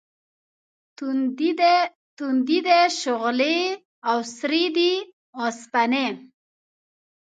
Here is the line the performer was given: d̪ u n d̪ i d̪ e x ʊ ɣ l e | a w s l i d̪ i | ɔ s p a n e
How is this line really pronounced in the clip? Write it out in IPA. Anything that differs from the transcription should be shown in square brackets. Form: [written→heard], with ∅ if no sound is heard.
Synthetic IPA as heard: [d̪→t̪] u n d̪ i d̪ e [x→ʃ] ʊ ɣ l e | a w s [l→ɾ] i d̪ i | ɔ s p a n e

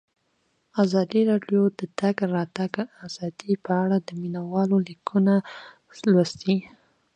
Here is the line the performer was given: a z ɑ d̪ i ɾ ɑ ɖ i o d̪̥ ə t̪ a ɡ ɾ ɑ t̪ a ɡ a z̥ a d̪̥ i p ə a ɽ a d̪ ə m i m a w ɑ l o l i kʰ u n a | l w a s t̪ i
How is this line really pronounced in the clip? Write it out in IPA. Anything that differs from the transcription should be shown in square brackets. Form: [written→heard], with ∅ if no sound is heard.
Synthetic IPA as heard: a z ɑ d̪ i ɾ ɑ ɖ [i→j] o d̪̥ ə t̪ a ɡ ɾ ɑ t̪ a ɡ a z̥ [a→ɑ] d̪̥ i p ə a ɽ a d̪ ə m i [m→n] a w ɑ l o l i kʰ u n a | l w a s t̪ i

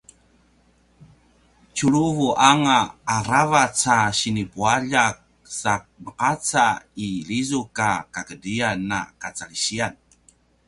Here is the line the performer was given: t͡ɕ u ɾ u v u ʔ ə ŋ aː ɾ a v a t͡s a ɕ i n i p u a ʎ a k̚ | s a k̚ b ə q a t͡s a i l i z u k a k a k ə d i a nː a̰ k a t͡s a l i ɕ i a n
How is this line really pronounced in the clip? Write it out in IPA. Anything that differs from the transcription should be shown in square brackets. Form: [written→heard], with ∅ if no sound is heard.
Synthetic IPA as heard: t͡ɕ u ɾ u v u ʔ [ə→a] ŋ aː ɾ a v a t͡s a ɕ i n i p u a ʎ a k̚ | s a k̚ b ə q a t͡s a i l i z u k a k a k ə d i a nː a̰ k a t͡s a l i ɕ i a n

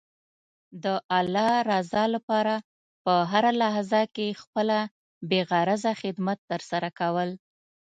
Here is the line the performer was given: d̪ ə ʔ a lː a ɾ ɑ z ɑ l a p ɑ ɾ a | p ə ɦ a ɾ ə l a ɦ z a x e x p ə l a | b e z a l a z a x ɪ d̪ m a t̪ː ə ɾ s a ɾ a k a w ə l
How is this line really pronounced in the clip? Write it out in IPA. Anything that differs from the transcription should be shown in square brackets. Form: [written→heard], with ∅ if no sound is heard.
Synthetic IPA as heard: d̪ ə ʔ a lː [a→ɑ] ɾ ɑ z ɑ l a p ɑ ɾ a | p ə ɦ a ɾ [ə→a] l a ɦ z a [x→k] e x p ə l a | b e [z→ɣ] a [l→ɾ] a z a x ɪ d̪ m a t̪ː ə ɾ s a ɾ a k a w ə l

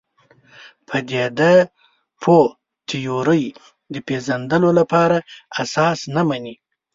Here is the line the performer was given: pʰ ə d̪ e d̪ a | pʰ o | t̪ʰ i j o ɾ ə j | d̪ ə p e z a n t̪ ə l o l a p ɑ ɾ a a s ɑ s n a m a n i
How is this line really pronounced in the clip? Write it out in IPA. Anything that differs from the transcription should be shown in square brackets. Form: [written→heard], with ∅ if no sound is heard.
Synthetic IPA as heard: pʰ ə d̪ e d̪ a | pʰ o | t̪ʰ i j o ɾ ə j | d̪ ə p e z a n [t̪→d̪] ə l o l a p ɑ ɾ a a s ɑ s n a m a n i

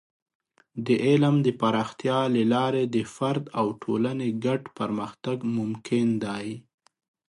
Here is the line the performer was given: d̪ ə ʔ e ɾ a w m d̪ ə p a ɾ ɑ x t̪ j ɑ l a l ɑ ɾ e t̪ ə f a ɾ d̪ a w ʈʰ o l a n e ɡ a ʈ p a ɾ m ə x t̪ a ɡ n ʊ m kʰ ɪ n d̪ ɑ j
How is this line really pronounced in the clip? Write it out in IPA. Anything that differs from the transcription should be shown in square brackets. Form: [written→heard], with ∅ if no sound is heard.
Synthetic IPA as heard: d̪ ə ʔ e [ɾ→l] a [w→∅] m d̪ ə p a ɾ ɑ x t̪ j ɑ l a l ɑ ɾ e [t̪→d̪] ə f a ɾ d̪ a w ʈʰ o l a n e ɡ a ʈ p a ɾ m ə x t̪ a ɡ [n→m] ʊ m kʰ ɪ n d̪ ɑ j

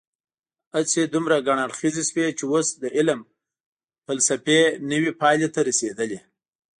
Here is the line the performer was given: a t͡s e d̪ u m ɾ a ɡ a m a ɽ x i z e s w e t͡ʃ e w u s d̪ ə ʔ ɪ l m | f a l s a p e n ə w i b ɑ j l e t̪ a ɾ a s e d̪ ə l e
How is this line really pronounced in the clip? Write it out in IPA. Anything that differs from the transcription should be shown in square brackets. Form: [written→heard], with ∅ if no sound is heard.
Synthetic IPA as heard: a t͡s e d̪ u m ɾ a ɡ a [m→ɳ] a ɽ x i z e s w e t͡ʃ e w [u→o] s d̪ ə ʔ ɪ l m | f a l s a p e n ə w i [b→p] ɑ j l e t̪ a ɾ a s e d̪ ə l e

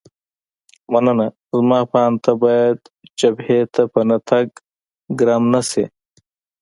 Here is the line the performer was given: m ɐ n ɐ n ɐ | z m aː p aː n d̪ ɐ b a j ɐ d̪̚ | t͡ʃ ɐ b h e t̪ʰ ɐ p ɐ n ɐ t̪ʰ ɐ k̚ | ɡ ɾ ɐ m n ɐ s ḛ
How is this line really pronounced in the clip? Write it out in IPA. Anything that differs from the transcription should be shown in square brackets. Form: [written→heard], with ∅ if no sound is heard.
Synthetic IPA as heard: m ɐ n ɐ n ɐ | z m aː p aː n [d̪→t̪] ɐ b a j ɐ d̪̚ | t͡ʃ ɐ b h e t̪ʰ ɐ p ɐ n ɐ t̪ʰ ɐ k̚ | ɡ ɾ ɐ m n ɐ s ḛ

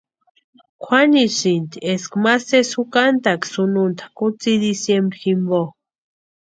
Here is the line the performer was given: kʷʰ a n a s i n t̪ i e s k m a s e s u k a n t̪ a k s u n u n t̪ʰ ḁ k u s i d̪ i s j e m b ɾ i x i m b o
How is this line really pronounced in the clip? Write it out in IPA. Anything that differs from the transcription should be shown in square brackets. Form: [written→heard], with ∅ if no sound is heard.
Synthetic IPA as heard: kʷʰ a n [a→i] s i n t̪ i e s k m a s e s u k a n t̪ a k s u n u n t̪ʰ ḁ k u [s→t͡s] i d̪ i s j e m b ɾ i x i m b o

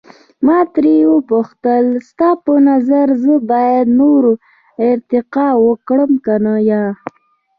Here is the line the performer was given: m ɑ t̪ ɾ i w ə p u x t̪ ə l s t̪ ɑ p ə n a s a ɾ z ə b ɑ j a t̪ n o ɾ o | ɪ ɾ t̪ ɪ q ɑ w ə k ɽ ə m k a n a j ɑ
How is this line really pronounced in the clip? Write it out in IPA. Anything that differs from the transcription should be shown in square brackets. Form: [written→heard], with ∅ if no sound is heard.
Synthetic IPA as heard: m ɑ t̪ ɾ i w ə p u x t̪ ə l s t̪ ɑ p ə n a [s→z] a ɾ z ə b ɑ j a [t̪→d̪] n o ɾ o | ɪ ɾ t̪ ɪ q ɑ w ə k ɽ ə m k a n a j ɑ

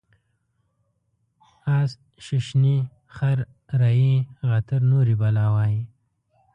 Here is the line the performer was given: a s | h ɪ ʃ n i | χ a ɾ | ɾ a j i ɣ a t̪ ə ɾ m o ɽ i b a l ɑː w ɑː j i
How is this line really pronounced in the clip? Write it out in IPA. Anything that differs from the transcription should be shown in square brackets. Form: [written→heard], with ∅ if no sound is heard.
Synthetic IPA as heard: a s | [h→ʃ] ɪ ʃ n i | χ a ɾ | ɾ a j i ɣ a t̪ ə ɾ [m→n] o [ɽ→ɾ] i b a l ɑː w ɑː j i

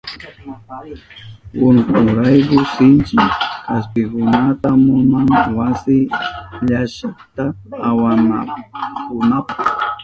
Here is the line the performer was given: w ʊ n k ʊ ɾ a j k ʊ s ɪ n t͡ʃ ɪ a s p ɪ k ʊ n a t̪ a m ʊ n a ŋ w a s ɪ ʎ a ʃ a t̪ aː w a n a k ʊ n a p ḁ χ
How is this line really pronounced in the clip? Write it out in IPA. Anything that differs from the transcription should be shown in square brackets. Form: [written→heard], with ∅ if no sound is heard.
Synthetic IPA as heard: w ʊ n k ʊ ɾ a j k ʊ s ɪ n t͡ʃ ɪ a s p ɪ k ʊ n a t̪ a m ʊ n a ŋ w a s ɪ ʎ a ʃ a t̪ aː w a n a k ʊ n a p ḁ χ

